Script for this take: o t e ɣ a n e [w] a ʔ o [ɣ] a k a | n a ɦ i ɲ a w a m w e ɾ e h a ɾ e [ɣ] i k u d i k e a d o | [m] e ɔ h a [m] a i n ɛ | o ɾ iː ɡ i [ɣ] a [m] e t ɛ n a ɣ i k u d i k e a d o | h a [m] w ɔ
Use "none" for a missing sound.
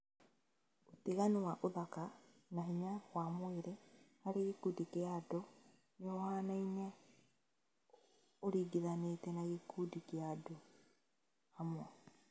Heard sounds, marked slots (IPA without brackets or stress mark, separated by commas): w, ð, ɣ, n, n, ð, n, m